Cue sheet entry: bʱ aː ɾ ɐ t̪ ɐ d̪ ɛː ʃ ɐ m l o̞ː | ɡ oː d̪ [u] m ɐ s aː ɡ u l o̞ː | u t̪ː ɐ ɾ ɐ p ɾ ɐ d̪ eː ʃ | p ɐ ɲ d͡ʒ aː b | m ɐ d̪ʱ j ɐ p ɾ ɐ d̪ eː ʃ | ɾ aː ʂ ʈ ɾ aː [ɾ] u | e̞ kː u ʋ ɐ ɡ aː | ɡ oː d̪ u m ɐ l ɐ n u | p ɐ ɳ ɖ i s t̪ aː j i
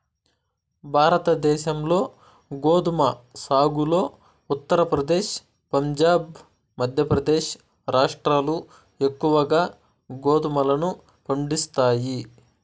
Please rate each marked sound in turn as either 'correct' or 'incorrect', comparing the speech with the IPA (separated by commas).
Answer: correct, incorrect